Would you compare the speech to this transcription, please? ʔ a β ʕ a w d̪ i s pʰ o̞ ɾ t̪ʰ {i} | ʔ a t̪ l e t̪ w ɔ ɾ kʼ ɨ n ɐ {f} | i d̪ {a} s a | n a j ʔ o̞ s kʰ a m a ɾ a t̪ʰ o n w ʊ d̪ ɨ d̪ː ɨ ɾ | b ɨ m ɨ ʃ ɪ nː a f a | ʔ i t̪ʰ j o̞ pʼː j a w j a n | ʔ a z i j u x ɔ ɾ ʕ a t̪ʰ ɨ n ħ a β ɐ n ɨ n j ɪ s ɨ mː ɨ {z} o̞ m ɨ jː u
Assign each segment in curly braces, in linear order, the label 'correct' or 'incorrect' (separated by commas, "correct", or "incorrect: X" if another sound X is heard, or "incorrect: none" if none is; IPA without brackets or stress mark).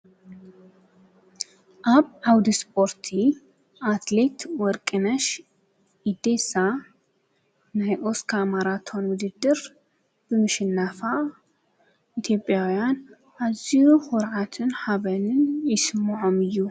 correct, incorrect: ʃ, incorrect: e, incorrect: ʕ